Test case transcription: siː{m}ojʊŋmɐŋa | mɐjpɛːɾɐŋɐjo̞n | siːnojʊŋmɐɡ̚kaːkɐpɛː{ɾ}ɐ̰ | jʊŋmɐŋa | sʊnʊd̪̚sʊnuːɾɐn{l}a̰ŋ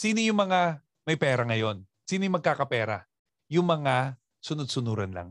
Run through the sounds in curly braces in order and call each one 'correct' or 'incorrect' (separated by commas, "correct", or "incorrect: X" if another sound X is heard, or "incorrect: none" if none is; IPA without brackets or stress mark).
incorrect: n, correct, correct